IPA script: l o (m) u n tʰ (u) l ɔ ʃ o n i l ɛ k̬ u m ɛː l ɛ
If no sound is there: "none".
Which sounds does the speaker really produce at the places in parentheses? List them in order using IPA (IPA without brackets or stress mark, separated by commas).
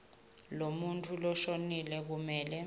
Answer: m, u